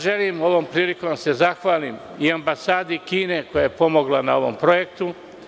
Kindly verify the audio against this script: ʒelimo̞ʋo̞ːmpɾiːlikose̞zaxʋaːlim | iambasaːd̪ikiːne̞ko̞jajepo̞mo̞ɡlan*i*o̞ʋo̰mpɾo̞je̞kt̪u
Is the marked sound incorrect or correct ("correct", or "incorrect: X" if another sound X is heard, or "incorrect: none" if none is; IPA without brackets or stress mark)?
incorrect: a